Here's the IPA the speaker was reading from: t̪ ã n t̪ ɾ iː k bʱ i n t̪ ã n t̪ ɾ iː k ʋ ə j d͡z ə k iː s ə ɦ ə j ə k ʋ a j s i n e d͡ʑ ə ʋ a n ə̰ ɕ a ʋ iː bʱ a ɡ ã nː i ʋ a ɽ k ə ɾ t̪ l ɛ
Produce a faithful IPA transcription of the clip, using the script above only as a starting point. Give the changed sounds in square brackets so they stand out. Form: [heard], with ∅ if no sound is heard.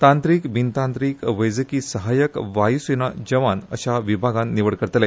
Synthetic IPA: t̪ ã n t̪ ɾ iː k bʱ i n t̪ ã n t̪ ɾ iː k ʋ ə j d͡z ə k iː s ə ɦ [a] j ə k ʋ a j s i n [a] d͡ʑ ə ʋ a n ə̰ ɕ a ʋ [i] bʱ a ɡ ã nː i ʋ [ə] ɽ k ə ɾ t̪ l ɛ